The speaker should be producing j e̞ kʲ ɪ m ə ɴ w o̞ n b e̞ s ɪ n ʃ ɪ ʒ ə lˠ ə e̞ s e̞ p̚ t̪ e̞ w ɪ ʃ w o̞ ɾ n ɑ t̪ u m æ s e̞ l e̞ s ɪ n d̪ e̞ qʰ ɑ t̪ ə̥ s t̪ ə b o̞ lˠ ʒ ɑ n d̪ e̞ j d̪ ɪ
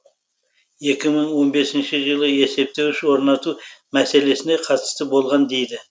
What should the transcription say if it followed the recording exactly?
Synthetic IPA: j e̞ kʲ ɪ m ə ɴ w o̞ n b e̞ s ɪ n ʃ ɪ ʒ ə lˠ ə e̞ s e̞ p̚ t̪ e̞ w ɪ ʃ w o̞ ɾ n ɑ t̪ u m æ s e̞ l e̞ s ɪ n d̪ e̞ qʰ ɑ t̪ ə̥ s t̪ ə b o̞ lˠ ʁ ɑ n d̪ e̞ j d̪ ɪ